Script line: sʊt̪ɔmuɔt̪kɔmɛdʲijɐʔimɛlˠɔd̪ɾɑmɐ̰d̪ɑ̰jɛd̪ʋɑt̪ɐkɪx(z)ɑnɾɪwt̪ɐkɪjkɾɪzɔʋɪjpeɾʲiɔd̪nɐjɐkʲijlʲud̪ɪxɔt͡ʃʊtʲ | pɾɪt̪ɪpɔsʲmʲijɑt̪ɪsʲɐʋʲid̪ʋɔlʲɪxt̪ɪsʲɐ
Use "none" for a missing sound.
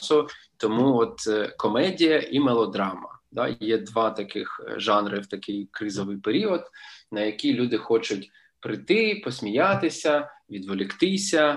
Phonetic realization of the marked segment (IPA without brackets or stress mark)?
ʒ